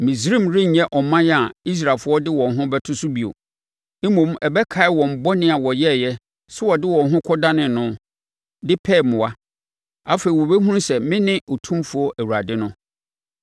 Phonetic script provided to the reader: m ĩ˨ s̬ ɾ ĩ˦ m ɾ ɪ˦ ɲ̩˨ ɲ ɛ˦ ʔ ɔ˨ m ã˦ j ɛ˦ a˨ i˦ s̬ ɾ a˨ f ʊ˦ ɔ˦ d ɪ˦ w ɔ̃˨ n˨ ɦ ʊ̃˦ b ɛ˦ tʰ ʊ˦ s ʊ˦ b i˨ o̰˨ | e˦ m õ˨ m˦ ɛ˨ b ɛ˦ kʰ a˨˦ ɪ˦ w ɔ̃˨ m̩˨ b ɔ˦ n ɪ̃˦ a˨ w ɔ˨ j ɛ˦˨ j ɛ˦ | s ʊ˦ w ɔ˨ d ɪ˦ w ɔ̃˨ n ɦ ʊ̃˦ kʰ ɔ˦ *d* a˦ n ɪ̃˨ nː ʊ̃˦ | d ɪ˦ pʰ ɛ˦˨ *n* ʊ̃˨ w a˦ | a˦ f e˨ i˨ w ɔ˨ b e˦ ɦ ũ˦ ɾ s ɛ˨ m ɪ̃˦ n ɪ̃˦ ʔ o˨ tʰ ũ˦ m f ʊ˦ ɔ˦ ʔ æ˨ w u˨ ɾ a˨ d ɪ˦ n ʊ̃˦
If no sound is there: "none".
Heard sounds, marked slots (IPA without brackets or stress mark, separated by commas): d, m